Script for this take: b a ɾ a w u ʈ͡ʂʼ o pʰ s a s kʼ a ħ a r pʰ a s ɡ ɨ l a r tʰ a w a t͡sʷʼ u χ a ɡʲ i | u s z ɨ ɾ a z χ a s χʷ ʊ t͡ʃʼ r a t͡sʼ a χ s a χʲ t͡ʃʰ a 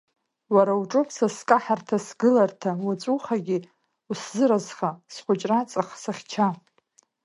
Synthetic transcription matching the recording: w a ɾ a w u ʈ͡ʂʼ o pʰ s a s kʼ a ħ a r tʰ a s ɡ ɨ l a r tʰ a w a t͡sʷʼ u χ a ɡʲ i | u s z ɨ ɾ a z χ a s χʷ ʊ t͡ʃʼ r a t͡sʼ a χ s a χʲ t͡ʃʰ a